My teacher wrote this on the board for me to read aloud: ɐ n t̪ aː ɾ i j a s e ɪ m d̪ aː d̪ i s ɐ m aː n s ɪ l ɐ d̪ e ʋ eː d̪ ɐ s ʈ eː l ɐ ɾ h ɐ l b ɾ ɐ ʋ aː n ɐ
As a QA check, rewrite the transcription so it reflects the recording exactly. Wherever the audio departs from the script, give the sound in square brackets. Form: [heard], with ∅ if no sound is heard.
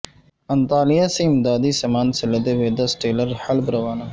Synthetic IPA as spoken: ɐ n t̪ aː [l] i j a s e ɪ m d̪ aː d̪ i s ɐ m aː n s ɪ l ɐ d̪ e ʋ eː d̪ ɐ s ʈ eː l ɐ ɾ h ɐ l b ɾ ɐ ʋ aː n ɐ